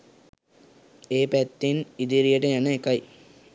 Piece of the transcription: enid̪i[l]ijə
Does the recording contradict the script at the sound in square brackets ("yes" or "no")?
yes